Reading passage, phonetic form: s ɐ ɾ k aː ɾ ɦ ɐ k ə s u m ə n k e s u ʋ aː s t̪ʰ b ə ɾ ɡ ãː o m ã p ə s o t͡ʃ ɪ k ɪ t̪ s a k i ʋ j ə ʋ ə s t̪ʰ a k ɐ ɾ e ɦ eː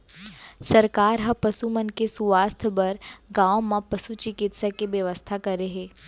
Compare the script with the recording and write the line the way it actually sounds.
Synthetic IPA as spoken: s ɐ ɾ k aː ɾ ɦ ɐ p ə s u m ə n k e s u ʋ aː s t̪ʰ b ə ɾ ɡ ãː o m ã p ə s u t͡ʃ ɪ k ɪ t̪ s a k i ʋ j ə ʋ ə s t̪ʰ a k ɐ ɾ e ɦ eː